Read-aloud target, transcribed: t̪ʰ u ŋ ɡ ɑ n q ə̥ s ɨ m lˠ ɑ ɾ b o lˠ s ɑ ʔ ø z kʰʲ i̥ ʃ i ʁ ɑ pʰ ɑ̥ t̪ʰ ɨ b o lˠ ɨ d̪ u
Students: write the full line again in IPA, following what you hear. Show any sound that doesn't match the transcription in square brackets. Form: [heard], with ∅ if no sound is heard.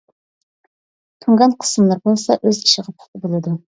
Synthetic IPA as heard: t̪ʰ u ŋ ɡ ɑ n [qʰ] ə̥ s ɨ m lˠ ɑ ɾ b o lˠ s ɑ ʔ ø z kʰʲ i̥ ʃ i ʁ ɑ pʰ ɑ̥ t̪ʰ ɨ b o lˠ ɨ d̪ u